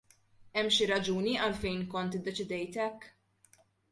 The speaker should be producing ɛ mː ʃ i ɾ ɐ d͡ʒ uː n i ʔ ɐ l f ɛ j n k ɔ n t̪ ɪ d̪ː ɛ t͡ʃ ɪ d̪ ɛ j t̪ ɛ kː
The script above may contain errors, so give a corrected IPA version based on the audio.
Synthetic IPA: ɛ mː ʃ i ɾ ɐ d͡ʒ uː n i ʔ ɐ l f ɛ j n k ɔ n t̪ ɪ d̪ː ɛ t͡ʃ ɪ d̪ ɛ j t̪ ɛ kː